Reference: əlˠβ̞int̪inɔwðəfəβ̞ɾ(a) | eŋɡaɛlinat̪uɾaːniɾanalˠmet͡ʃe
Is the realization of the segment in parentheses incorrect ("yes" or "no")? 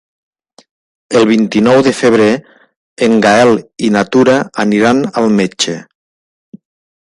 yes